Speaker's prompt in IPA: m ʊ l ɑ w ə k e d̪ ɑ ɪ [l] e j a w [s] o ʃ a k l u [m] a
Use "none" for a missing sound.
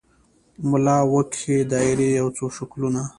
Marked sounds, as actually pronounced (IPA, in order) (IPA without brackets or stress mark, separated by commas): ɾ, t͡s, n